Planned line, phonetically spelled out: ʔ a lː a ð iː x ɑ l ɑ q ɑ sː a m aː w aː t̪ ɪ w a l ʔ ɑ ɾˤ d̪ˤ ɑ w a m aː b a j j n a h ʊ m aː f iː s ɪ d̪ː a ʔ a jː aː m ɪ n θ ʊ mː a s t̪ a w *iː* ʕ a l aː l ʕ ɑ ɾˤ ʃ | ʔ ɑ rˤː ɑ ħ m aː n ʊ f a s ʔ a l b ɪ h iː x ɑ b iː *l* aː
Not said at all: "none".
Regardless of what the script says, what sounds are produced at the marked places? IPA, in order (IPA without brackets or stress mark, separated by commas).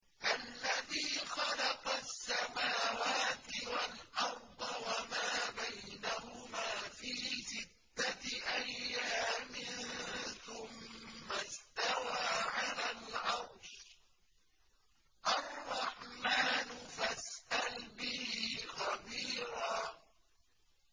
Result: aː, ɾ